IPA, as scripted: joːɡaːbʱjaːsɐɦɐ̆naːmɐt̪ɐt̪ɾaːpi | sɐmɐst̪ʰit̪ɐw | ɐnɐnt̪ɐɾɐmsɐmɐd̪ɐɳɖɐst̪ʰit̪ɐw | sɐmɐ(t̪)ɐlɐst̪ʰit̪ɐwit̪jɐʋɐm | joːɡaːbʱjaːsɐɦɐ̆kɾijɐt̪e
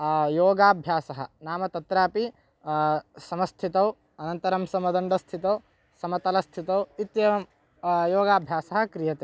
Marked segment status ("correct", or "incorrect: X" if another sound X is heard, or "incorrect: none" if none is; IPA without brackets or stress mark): correct